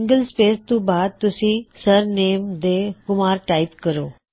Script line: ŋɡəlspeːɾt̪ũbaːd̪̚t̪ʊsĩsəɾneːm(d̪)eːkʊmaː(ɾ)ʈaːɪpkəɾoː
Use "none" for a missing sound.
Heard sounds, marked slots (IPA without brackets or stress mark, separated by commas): d̪, ɾ